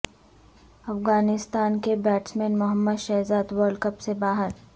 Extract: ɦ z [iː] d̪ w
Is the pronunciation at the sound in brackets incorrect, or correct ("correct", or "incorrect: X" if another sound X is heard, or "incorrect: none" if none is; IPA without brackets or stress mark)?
incorrect: aː